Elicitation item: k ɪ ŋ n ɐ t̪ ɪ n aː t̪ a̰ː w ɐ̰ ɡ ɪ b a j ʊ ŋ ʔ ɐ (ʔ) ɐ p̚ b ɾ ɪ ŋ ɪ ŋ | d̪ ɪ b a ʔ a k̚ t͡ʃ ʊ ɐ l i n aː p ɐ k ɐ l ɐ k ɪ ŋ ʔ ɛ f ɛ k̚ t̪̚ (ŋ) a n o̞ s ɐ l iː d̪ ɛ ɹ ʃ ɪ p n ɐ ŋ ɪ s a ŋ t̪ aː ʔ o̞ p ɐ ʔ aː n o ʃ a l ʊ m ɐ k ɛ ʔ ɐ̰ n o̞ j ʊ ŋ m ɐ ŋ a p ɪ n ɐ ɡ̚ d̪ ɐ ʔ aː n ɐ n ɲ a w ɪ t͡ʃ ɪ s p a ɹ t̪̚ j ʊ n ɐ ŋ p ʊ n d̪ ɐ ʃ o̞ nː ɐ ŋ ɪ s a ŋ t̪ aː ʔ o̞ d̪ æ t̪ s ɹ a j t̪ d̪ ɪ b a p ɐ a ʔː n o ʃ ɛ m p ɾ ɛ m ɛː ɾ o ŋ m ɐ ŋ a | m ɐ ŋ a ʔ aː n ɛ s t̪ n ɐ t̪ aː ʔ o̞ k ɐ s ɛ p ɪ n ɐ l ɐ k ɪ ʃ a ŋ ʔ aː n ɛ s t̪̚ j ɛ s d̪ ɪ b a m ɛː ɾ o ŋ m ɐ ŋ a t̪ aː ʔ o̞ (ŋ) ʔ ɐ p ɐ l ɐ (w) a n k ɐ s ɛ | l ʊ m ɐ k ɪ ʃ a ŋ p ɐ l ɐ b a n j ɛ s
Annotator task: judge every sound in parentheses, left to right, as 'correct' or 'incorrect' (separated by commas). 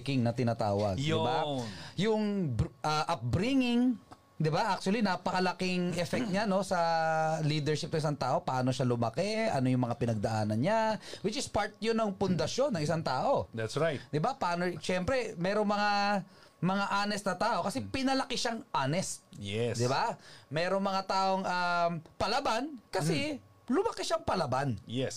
correct, incorrect, correct, incorrect